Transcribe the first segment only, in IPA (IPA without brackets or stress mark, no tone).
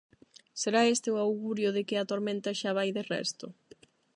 s